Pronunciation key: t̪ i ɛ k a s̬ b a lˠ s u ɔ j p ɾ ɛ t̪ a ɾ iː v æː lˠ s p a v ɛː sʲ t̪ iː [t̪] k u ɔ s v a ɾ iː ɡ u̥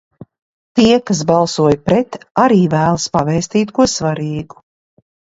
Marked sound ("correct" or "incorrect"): correct